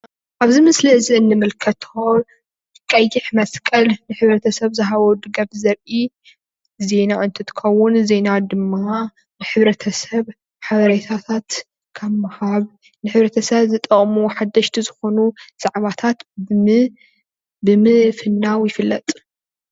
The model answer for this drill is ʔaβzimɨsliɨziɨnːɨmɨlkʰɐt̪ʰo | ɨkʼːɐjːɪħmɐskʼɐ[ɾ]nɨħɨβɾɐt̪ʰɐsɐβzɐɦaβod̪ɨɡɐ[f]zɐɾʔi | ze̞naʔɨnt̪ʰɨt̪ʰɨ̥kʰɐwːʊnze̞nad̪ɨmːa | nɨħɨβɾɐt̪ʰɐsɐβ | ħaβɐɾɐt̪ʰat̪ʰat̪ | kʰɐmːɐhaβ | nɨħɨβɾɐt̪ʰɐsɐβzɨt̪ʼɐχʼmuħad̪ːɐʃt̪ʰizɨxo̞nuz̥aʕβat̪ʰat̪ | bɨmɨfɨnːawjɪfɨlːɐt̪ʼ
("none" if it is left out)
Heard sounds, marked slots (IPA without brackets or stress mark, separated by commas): l, f